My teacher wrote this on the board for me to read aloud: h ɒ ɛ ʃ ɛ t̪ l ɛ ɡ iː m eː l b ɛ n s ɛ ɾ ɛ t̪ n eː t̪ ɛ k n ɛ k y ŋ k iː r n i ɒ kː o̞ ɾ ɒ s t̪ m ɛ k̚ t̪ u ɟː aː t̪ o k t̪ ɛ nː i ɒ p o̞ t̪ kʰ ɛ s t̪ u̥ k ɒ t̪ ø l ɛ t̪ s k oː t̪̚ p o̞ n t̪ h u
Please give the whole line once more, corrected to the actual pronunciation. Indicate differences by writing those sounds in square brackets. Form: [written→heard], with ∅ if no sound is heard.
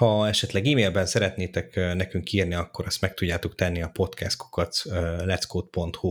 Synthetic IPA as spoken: h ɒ ɛ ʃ ɛ t̪ l ɛ ɡ iː m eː l b ɛ n s ɛ ɾ ɛ t̪ n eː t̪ ɛ k n ɛ k y ŋ k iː r n i ɒ kː o̞ ɾ ɒ s t̪ m ɛ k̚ t̪ u ɟː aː t̪ o k t̪ ɛ nː i ɒ p o̞ t̪ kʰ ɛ s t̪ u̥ k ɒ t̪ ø l ɛ t̪ s k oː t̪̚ p o̞ n t̪ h u